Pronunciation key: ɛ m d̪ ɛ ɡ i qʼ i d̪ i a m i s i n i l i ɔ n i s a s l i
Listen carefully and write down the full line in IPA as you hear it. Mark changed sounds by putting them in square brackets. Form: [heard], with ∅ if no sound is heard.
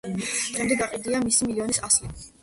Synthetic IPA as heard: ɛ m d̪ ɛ ɡ [a] qʼ i d̪ i a m i s i [m] i l i ɔ n i s a s l i